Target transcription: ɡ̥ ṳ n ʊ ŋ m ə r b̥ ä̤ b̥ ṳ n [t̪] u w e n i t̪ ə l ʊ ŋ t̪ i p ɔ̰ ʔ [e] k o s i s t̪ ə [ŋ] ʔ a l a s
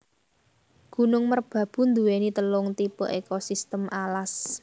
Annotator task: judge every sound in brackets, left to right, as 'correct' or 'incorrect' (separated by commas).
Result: incorrect, correct, incorrect